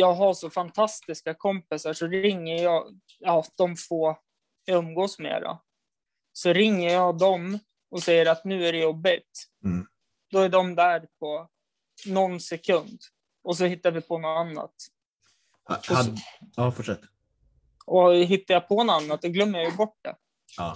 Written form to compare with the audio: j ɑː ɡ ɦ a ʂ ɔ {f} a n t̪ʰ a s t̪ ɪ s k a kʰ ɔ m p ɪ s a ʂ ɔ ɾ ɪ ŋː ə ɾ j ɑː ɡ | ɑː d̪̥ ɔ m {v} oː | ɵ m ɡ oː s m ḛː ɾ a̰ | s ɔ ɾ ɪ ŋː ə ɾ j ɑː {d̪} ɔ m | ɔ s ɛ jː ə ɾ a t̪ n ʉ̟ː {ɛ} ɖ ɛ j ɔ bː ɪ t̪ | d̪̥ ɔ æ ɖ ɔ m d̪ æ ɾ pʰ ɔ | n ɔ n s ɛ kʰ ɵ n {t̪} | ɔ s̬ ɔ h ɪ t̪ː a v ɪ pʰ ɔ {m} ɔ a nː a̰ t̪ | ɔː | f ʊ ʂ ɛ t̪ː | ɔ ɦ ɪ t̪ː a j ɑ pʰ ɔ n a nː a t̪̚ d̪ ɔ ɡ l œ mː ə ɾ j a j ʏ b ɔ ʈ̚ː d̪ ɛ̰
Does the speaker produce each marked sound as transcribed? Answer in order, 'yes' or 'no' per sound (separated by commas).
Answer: yes, no, yes, no, no, no